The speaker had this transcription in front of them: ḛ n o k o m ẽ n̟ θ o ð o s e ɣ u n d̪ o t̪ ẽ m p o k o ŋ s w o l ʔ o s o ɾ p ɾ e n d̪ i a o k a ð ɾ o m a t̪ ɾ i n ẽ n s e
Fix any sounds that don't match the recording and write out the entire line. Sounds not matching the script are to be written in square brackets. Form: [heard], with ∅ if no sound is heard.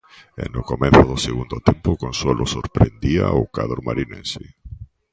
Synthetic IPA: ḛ n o k o m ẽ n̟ θ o ð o s e ɣ u n d̪ o t̪ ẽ m p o k o [n] s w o l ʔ o s o ɾ p ɾ e n d̪ i a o k a ð ɾ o m a [∅] ɾ i n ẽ n s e

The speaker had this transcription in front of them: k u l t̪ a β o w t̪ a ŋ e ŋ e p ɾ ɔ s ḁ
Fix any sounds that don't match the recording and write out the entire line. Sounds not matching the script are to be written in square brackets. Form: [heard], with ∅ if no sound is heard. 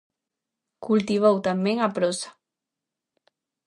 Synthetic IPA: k u l t̪ [i] β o w t̪ a [m] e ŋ [a] p ɾ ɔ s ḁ

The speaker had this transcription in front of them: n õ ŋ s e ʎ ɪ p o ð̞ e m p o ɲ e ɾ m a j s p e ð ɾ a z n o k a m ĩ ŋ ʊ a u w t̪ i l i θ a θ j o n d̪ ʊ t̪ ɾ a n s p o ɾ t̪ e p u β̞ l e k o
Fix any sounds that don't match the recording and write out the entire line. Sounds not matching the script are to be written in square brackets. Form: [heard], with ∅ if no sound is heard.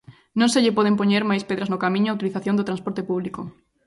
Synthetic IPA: n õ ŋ s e ʎ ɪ p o ð̞ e m p o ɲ e ɾ m a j s p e ð ɾ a z n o k a m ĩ [ɲ] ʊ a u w t̪ i l i θ a θ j o n d̪ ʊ t̪ ɾ a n s p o ɾ t̪ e p u β̞ l [i] k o

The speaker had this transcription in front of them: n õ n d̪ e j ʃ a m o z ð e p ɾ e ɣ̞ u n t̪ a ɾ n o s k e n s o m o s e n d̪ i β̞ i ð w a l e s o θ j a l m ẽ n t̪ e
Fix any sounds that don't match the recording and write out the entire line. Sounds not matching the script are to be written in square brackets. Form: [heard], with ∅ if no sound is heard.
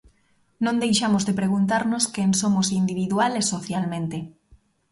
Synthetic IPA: n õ n d̪ e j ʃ a m o z ð e p ɾ e ɣ̞ u n t̪ a ɾ n o s k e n s o m o s [i] n d̪ i β̞ i ð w a l e s o θ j a l m ẽ n t̪ e

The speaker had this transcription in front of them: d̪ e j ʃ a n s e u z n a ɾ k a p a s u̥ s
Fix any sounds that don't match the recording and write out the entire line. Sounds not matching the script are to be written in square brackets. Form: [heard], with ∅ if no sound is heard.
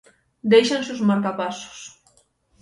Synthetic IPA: d̪ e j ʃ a n s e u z [m] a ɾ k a p a s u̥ s

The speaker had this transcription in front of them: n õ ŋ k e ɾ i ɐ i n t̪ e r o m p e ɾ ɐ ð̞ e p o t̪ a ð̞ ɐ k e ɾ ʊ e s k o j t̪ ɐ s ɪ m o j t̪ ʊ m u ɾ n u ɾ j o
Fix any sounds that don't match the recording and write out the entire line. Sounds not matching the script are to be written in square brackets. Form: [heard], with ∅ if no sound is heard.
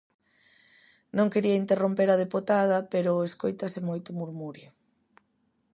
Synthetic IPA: n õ ŋ k e ɾ i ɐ i n t̪ e r o m p e ɾ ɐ ð̞ e p o t̪ a ð̞ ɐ [p] e ɾ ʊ e s k o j t̪ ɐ s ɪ m o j t̪ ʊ m u ɾ [m] u ɾ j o

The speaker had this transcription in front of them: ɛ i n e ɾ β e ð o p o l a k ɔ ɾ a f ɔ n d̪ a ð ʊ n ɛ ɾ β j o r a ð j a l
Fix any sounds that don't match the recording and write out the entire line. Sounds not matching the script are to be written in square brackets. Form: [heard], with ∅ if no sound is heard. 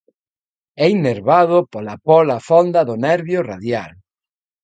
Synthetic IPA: ɛ i n e ɾ β [a] ð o p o l a [p] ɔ [l] a f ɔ n d̪ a ð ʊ n ɛ ɾ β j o r a ð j a l

